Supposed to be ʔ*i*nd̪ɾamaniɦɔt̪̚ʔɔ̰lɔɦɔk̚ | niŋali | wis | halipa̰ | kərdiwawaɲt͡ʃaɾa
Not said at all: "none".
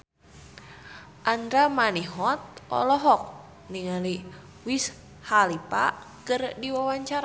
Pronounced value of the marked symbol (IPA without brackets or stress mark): a